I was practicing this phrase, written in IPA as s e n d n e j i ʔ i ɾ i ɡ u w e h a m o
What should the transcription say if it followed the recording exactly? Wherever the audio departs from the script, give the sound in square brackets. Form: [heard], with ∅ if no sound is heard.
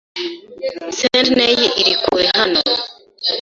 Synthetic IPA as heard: s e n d n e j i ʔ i ɾ i [k] u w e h a [n] o